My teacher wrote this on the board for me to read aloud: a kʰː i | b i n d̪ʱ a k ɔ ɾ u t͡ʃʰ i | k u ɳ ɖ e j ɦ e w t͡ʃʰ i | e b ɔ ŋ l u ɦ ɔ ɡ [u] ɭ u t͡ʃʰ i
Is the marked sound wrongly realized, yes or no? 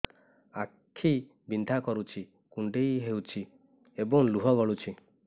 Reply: yes